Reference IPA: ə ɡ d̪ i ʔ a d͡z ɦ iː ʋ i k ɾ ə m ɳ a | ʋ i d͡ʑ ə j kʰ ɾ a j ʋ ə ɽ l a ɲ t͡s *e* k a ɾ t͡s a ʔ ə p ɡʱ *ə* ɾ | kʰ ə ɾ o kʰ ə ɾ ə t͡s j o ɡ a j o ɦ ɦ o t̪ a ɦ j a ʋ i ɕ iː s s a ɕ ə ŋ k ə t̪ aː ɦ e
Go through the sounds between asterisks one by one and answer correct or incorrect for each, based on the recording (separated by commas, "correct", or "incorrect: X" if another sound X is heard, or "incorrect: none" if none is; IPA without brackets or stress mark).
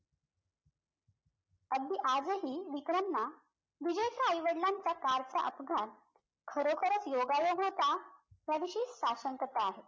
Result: incorrect: a, incorrect: a